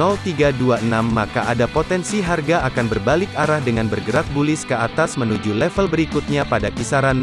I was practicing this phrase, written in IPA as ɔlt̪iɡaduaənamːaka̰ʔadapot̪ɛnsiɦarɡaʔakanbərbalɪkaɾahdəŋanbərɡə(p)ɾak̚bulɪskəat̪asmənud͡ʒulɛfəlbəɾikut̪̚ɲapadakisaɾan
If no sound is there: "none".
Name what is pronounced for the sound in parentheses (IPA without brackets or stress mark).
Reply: none